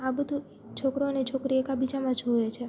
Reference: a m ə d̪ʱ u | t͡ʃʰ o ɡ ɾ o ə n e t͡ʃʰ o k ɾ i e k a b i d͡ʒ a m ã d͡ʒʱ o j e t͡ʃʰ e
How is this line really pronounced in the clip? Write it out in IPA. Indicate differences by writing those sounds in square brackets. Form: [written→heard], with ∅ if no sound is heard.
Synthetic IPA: a [m→b] ə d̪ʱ u | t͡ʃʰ o [ɡ→k] ɾ o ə n e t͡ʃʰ o k ɾ i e k a b i d͡ʒ a m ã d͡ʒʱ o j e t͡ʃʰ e

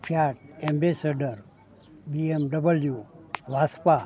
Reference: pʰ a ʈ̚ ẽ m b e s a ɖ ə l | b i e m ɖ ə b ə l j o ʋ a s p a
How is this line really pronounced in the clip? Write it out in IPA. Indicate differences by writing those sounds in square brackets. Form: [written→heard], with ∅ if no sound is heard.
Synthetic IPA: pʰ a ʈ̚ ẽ m b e s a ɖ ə [l→ɾ] | b i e m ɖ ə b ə l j [o→u] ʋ a s p a

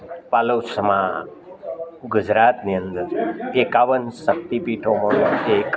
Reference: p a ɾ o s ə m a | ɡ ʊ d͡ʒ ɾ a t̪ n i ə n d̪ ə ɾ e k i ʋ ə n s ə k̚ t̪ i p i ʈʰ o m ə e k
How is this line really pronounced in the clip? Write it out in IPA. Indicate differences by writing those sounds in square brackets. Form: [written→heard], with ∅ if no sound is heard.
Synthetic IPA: p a [ɾ→l] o s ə m a | ɡ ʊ d͡ʒ ɾ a t̪ n i ə n d̪ ə ɾ e k [i→a] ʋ ə n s ə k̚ t̪ i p i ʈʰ o m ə e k

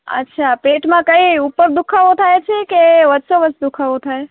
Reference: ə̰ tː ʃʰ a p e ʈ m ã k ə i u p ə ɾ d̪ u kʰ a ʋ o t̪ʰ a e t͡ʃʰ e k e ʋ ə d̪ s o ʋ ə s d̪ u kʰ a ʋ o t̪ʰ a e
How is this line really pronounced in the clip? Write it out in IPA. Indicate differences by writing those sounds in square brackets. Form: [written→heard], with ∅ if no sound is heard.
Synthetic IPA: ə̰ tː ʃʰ a p e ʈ m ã k ə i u p ə ɾ d̪ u kʰ a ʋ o t̪ʰ a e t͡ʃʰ e k e ʋ ə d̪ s o ʋ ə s d̪ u kʰ a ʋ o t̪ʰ a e

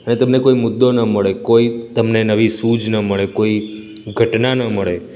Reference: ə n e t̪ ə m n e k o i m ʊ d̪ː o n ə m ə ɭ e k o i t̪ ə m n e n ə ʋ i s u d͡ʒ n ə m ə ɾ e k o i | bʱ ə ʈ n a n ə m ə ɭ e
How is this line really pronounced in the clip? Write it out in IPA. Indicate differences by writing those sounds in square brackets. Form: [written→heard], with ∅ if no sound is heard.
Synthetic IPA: ə n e t̪ ə m n e k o i m ʊ d̪ː o n ə m ə ɭ e k o i t̪ ə m n e n ə ʋ i s u d͡ʒ n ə m ə [ɾ→ɭ] e k o i | [bʱ→ɡʱ] ə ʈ n a n ə m ə ɭ e

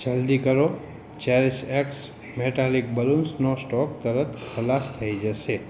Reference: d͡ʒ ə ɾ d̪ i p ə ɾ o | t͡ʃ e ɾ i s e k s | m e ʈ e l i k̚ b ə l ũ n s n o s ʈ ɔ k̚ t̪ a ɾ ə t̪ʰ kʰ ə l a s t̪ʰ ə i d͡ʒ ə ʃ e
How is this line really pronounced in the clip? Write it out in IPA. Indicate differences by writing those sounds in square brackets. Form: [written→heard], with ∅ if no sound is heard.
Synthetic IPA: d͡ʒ ə [ɾ→l] d̪ i [p→k] ə ɾ o | t͡ʃ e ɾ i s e k s | m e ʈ [e→a] l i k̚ b ə l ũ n s n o s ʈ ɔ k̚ t̪ [a→ə] ɾ ə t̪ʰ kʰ ə l a s t̪ʰ ə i d͡ʒ ə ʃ e

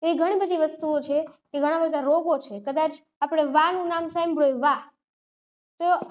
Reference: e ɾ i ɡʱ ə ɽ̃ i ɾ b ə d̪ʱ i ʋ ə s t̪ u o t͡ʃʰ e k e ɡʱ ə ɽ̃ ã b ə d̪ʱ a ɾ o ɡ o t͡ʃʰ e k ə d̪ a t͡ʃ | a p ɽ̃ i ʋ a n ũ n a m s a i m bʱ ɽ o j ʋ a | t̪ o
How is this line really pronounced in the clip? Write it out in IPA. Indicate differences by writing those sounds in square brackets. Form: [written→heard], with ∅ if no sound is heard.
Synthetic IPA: e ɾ i ɡʱ ə ɽ̃ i [ɾ→∅] b ə d̪ʱ i ʋ ə s t̪ u o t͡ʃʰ e k e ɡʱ ə ɽ̃ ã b ə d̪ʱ a ɾ o ɡ o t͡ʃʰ e k ə d̪ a t͡ʃ | a p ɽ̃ [i→e] ʋ a n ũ n a m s a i m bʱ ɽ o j ʋ a | t̪ o

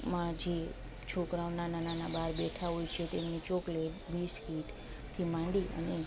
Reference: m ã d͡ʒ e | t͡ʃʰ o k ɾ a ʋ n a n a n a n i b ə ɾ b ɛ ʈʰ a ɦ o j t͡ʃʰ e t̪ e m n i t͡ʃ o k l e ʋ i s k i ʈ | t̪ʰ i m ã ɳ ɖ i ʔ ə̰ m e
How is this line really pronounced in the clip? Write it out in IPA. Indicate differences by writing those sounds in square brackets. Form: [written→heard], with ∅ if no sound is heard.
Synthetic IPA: m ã d͡ʒ e | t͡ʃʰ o k ɾ a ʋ n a n a n a n [i→a] b [ə→a] ɾ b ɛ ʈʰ a ɦ o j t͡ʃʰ e t̪ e m n i t͡ʃ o k l e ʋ i s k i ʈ | t̪ʰ i m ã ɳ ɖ i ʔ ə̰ [m→n] e

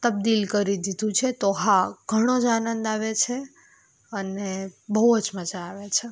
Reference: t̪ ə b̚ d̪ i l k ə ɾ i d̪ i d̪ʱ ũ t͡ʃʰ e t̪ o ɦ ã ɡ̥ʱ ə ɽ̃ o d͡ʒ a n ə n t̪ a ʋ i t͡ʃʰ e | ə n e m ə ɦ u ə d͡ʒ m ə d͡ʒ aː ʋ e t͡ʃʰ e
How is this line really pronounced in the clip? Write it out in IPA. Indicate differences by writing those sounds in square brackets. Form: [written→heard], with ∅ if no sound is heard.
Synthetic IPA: t̪ ə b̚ d̪ i l k ə ɾ i d̪ i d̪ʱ ũ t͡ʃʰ e t̪ o ɦ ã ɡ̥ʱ ə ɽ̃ o d͡ʒ a n ə n [t̪→d̪] a ʋ [i→e] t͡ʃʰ e | ə n e [m→b] ə ɦ u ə d͡ʒ m ə d͡ʒ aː ʋ e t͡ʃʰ e

